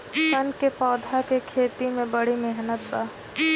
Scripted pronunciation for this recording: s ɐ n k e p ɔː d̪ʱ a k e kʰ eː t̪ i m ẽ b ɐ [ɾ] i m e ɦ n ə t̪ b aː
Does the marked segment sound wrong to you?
yes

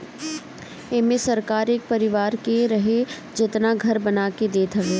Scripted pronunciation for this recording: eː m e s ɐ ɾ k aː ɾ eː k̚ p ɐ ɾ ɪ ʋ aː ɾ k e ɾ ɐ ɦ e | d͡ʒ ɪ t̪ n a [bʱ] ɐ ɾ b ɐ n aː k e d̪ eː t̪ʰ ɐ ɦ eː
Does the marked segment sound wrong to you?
yes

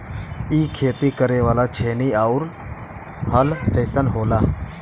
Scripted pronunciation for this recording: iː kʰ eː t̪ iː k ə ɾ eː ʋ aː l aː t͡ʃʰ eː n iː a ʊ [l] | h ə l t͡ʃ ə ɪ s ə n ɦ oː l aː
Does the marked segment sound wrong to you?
yes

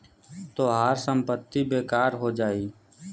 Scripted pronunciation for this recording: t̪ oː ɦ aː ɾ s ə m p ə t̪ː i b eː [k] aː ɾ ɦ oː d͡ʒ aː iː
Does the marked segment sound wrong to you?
no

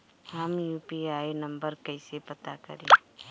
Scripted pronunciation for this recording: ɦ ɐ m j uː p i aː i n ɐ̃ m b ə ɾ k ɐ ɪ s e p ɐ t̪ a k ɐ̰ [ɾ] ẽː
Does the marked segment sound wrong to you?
no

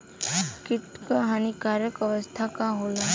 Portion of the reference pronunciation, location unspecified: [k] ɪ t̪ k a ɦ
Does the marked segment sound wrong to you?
no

